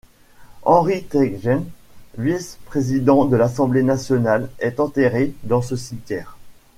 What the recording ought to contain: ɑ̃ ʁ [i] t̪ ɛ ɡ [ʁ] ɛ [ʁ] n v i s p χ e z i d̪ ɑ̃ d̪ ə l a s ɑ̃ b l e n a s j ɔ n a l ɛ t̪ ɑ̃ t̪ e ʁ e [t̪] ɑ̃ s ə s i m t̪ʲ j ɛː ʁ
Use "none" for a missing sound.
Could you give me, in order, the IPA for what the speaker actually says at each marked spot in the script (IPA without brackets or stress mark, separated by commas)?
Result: i, ʒ, none, d̪